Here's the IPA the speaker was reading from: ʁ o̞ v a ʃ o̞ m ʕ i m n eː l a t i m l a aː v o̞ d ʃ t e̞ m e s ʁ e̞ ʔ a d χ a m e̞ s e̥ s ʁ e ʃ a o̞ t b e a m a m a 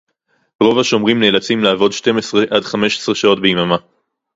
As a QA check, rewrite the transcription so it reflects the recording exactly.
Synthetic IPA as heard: ʁ o̞ v a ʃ o̞ m ʁ i m n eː l a t͡s i m l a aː v o̞ d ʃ t e̞ m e s ʁ e̞ ʔ a d χ a m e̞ ʃ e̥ s ʁ e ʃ a o̞ t b e i m a m a